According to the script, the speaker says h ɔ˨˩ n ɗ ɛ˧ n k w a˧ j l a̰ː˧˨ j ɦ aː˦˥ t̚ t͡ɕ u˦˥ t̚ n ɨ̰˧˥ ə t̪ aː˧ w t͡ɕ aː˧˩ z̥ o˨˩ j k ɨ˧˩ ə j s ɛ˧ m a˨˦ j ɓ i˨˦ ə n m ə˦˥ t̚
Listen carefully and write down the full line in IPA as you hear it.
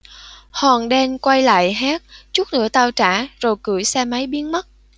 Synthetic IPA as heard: h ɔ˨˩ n ɗ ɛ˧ n k w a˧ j l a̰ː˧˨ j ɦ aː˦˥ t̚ t͡ɕ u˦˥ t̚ n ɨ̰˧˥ ə t̪ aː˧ w t͡ɕ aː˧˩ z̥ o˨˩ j k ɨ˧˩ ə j s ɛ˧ m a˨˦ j ɓ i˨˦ ə n m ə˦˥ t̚